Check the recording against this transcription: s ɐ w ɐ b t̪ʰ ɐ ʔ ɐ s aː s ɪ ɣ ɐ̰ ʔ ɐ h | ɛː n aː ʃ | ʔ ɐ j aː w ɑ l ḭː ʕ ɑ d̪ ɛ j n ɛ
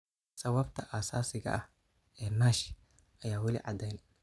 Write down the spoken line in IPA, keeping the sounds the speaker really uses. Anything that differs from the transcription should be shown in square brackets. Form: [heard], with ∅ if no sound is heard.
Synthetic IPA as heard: s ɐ w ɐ b t̪ʰ ɐ ʔ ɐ s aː s ɪ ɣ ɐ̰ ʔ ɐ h | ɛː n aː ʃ | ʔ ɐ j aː w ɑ l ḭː ʕ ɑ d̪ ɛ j n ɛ